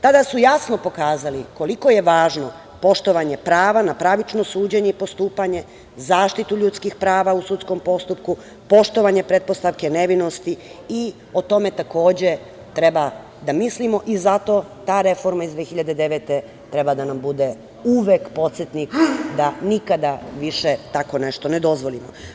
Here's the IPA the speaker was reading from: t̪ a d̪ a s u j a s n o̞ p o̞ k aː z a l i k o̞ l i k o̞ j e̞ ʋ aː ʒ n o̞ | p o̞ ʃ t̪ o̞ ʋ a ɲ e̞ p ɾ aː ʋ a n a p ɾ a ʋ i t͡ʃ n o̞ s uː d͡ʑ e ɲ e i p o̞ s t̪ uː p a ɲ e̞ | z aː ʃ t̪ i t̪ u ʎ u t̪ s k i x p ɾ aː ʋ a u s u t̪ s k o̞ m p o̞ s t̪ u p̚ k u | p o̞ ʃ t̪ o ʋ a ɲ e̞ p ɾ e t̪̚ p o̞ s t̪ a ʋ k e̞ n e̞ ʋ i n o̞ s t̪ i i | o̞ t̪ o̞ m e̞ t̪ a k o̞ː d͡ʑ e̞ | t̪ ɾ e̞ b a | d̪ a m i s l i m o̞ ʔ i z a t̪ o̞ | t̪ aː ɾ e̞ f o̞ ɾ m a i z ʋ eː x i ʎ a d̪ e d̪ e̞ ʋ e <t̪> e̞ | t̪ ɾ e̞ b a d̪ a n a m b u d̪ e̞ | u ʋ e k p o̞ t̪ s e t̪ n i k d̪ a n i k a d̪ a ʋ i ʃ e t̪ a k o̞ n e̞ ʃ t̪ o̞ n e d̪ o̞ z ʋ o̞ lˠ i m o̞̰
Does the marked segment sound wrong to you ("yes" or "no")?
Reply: no